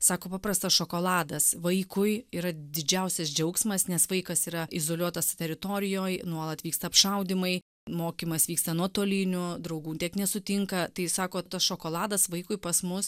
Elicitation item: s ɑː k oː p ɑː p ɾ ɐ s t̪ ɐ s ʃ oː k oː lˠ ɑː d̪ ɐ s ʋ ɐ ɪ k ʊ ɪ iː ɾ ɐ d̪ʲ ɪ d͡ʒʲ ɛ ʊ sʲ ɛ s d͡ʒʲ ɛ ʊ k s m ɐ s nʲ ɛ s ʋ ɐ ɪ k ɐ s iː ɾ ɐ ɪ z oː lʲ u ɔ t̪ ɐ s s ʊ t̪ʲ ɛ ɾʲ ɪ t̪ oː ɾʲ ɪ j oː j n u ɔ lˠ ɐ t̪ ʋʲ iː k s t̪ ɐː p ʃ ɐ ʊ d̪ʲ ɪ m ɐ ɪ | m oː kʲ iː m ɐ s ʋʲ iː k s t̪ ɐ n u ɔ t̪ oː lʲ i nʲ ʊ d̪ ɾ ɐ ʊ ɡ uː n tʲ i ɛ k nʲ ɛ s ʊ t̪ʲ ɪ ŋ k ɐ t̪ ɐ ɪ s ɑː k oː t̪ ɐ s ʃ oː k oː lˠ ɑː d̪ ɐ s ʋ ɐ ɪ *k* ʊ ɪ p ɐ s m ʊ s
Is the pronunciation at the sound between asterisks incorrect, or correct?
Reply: correct